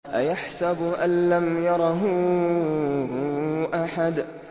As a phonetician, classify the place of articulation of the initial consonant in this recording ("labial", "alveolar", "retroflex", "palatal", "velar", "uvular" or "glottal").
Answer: glottal